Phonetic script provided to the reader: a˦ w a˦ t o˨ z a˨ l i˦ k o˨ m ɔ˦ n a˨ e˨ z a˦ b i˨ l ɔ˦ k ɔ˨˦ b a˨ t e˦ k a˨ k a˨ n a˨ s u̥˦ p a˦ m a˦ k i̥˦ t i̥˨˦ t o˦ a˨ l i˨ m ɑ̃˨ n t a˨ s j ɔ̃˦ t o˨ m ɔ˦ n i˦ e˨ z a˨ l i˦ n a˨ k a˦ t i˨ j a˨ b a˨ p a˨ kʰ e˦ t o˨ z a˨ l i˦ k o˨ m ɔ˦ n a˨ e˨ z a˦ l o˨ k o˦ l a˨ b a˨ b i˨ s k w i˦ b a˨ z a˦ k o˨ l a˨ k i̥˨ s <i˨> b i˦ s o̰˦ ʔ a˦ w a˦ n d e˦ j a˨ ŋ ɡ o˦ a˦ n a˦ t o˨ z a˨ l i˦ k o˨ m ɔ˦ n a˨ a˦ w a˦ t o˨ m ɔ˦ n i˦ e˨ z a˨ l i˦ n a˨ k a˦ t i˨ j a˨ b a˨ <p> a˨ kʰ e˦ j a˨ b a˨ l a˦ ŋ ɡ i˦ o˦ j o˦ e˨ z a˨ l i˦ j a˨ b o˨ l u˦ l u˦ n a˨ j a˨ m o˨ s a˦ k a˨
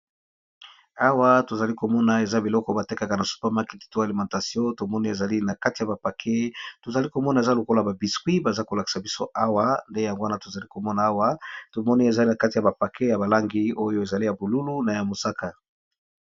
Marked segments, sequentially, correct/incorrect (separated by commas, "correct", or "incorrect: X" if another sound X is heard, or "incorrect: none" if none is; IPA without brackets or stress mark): incorrect: a˨, correct